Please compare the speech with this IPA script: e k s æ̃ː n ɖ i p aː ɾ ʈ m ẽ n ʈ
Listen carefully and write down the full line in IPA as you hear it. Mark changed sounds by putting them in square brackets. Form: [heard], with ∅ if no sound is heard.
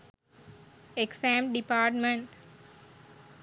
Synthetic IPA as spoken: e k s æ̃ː [m] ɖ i p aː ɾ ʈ m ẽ [ɳ] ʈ